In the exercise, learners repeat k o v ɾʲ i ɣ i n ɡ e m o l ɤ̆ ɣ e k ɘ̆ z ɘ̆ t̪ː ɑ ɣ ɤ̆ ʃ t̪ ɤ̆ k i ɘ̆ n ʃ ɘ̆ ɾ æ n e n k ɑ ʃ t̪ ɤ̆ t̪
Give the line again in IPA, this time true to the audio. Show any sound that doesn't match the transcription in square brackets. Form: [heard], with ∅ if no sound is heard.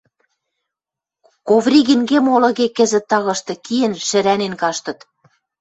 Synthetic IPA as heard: k o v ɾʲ i ɣ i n ɡ e m o l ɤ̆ ɣ e k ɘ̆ z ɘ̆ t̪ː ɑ ɣ ɤ̆ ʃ t̪ ɤ̆ k i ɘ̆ n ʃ ɘ̆ ɾ æ n e n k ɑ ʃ t̪ ɤ̆ t̪